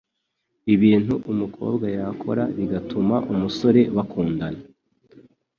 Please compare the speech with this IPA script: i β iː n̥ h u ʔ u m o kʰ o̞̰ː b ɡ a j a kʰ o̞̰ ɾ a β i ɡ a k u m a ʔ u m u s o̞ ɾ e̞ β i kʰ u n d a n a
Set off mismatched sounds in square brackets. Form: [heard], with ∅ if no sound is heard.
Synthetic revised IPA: i β iː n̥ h u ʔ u m [u] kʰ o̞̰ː b ɡ a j a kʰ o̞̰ ɾ a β i ɡ a [t] u m a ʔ u m u s o̞ ɾ e̞ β [a] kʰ [uː] n d a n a